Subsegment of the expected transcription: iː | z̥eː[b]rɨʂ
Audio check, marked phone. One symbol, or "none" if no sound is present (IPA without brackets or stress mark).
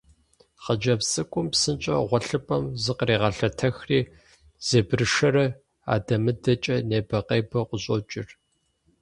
b